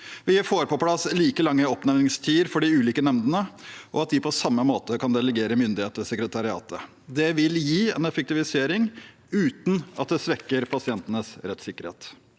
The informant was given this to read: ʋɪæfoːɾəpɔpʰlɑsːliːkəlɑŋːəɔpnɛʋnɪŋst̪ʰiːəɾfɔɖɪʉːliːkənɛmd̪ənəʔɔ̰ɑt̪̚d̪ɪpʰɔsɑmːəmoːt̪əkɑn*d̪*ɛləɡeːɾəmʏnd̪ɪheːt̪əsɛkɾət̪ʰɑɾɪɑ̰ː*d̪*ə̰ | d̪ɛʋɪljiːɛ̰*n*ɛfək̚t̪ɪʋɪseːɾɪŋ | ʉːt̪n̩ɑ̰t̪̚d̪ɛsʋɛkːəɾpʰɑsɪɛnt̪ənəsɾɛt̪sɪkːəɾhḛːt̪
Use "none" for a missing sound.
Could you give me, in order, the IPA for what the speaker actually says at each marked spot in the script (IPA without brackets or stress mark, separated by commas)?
d̪, t̪, n